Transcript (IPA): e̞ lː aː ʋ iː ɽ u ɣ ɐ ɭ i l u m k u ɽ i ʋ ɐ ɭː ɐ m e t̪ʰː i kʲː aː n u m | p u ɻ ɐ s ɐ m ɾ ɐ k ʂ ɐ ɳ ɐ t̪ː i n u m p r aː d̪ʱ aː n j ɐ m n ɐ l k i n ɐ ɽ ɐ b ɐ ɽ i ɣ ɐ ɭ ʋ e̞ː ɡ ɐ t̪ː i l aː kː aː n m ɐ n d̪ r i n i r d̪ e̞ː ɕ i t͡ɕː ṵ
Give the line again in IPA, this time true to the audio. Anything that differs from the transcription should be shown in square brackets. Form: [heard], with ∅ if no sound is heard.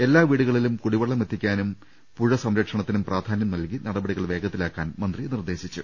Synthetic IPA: e̞ lː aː ʋ iː ɽ u ɣ ɐ ɭ i l u m k u ɽ i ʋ ɐ ɭː ɐ m e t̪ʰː i kʲː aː n u m | p u ɻ ɐ s ɐ m ɾ ɐ k ʂ ɐ ɳ ɐ t̪ː i n u m p r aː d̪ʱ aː n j ɐ m n ɐ l k i n ɐ ɽ ɐ b ɐ ɽ i ɣ ɐ ɭ ʋ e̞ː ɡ ɐ t̪ː i l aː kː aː n m ɐ n d̪ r i n i r d̪ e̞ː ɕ i t͡ɕː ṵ